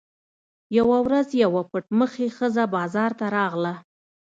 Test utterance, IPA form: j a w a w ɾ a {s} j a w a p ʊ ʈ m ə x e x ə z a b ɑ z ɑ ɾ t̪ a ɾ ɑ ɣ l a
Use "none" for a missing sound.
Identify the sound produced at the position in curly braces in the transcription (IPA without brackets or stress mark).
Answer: z